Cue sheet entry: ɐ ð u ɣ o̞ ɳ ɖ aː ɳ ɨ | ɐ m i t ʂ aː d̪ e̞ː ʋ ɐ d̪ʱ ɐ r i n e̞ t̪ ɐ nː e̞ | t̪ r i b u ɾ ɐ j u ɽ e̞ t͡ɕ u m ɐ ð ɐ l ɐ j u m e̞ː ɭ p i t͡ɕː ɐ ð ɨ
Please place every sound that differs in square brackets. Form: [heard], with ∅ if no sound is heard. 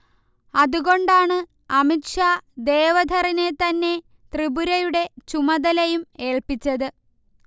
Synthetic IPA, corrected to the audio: ɐ ð u ɣ o̞ ɳ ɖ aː ɳ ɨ | ɐ m i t ʂ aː d̪ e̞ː ʋ ɐ d̪ʱ ɐ r i n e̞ t̪ ɐ nː e̞ | t̪ r i b u ɾ ɐ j u ɽ e̞ t͡ɕ u m ɐ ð ɐ l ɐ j u m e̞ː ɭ p i t͡ɕː ɐ ð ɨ

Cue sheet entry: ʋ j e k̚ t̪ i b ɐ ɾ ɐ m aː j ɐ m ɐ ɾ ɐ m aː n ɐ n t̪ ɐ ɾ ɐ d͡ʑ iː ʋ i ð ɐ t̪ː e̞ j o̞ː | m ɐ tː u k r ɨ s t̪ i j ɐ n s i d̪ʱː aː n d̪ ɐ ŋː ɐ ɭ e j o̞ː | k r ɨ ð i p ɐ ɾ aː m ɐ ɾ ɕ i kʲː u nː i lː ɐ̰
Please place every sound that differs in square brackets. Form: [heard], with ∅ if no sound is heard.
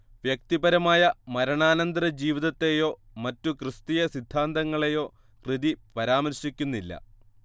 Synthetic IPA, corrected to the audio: ʋ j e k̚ t̪ i b ɐ ɾ ɐ m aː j ɐ m ɐ ɾ ɐ [ɳ] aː n ɐ n [d̪] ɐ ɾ ɐ d͡ʑ iː ʋ i ð ɐ t̪ː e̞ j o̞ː | m ɐ tː u k r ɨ s t̪ i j ɐ [∅] s i d̪ʱː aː n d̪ ɐ ŋː ɐ ɭ e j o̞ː | k r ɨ ð i p ɐ ɾ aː m ɐ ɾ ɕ i kʲː u nː i lː ɐ̰

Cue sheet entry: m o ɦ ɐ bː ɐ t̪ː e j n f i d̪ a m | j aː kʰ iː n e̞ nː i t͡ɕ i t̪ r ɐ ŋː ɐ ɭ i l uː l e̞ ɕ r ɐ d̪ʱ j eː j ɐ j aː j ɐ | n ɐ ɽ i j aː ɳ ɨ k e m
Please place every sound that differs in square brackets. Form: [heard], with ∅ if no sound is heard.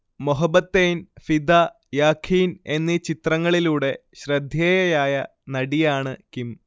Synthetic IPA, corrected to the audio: m o ɦ ɐ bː ɐ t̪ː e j n f i d̪ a [∅] | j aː kʰ iː n e̞ nː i t͡ɕ i t̪ r ɐ ŋː ɐ ɭ i l uː [ɽ] e̞ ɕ r ɐ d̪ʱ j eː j ɐ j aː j ɐ | n ɐ ɽ i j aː ɳ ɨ k [i] m

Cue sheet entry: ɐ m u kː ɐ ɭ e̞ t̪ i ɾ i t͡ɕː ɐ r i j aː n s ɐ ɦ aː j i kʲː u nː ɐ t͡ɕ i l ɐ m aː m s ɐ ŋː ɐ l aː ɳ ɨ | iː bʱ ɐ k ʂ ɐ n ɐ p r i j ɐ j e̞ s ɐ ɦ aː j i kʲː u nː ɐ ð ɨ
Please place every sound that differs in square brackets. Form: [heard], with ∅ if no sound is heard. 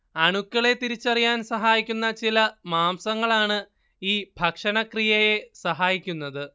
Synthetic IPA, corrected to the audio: ɐ [ɳ] u kː ɐ ɭ e̞ t̪ i ɾ i t͡ɕː ɐ r i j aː n s ɐ ɦ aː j i kʲː u nː ɐ t͡ɕ i l ɐ m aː m s ɐ ŋː ɐ [ɭ] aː ɳ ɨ | iː bʱ ɐ k ʂ ɐ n ɐ [k] r i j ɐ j e̞ s ɐ ɦ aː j i kʲː u nː ɐ ð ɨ

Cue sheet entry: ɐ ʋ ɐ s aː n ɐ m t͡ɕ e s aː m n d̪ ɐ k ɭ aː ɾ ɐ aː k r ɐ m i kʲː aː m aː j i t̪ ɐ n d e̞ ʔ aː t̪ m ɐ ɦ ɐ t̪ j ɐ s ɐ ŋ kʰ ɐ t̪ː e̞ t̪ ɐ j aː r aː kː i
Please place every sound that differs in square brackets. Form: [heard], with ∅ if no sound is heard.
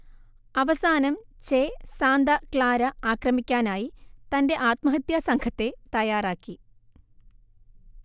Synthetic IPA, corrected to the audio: ɐ ʋ ɐ s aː n ɐ m t͡ɕ e s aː [∅] n d̪ ɐ k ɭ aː ɾ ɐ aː k r ɐ m i kʲː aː [n] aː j i t̪ ɐ n d e̞ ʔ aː t̪ m ɐ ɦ ɐ t̪ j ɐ s ɐ ŋ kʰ ɐ t̪ː e̞ t̪ ɐ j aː r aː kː i

